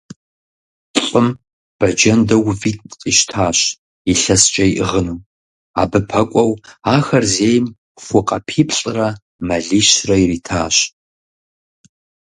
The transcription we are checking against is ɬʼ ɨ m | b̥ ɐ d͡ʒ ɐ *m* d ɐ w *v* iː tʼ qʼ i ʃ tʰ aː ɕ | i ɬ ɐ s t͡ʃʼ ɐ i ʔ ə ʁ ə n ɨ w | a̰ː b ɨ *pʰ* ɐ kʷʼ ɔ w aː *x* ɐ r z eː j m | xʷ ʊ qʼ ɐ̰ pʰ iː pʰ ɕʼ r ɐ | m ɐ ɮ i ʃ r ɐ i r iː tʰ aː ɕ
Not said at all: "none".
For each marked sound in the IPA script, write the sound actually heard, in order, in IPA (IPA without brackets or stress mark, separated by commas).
n, v, pʰ, x